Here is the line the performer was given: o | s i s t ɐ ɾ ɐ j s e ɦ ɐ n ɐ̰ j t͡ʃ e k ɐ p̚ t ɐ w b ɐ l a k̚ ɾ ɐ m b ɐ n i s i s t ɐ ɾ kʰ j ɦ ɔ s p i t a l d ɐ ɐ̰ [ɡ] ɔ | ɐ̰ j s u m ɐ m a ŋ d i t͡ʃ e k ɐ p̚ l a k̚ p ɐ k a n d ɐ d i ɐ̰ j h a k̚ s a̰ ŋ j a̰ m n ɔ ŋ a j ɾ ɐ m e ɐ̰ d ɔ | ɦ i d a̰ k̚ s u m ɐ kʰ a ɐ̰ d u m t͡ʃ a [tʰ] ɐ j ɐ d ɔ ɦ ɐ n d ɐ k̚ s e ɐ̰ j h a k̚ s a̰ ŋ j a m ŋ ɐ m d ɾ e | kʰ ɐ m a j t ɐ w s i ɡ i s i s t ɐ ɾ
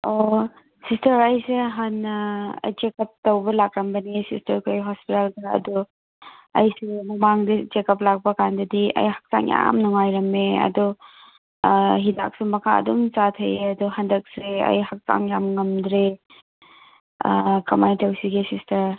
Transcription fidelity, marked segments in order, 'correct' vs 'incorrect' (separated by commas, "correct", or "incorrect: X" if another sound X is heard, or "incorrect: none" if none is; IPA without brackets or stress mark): incorrect: d, correct